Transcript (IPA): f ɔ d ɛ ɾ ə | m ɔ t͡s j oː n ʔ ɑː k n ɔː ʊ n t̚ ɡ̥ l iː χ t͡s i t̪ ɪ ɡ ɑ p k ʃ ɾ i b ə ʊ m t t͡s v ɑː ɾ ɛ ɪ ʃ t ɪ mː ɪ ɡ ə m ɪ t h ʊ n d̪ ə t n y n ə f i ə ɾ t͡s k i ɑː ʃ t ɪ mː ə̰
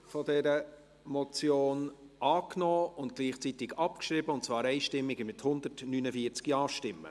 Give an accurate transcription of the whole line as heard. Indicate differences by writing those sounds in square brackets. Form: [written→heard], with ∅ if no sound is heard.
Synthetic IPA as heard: f ɔ d ɛ ɾ ə | m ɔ t͡s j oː n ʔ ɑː k n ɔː ʊ n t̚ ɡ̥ l iː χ t͡s i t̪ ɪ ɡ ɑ p k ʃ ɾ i b ə ʊ [m→n] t t͡s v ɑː ɾ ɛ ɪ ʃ t ɪ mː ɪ ɡ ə m ɪ t h ʊ n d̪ ə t n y n ə f i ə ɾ t͡s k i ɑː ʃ t ɪ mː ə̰